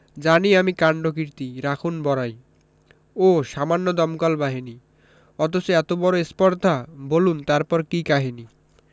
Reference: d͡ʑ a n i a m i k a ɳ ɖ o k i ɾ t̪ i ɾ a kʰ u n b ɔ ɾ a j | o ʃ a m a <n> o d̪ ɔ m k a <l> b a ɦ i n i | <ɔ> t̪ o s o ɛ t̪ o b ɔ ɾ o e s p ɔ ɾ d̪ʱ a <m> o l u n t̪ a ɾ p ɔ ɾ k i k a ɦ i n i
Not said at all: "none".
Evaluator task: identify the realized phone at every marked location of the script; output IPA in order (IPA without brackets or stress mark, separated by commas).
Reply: nː, l, ɔ, b